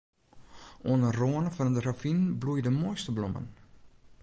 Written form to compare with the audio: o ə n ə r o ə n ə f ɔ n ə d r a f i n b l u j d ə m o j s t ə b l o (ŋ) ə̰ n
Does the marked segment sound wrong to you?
yes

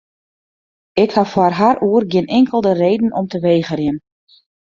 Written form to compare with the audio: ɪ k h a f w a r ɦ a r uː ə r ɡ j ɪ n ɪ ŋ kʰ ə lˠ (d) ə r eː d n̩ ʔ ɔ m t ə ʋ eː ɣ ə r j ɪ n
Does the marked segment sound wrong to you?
no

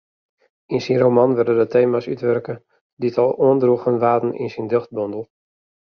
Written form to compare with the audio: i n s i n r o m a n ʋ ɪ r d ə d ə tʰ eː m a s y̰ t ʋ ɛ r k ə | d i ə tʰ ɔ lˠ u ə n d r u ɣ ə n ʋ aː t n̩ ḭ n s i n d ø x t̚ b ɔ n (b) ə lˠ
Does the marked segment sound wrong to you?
yes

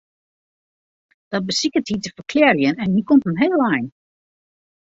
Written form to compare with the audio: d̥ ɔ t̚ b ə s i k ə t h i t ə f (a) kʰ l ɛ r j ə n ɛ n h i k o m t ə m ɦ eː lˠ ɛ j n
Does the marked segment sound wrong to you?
yes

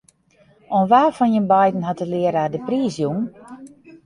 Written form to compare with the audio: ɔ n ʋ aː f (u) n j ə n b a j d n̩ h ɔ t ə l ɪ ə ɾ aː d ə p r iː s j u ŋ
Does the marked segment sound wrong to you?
yes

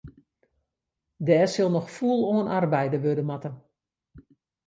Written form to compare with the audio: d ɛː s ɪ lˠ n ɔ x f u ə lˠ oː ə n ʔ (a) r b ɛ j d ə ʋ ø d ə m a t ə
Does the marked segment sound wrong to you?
no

